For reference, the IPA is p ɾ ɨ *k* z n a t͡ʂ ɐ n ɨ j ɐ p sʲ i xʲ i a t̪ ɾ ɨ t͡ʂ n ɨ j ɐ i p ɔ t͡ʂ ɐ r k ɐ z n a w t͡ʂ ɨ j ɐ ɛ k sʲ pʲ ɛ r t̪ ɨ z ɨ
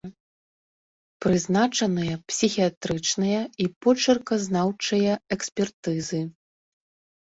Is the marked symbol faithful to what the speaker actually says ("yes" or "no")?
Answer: no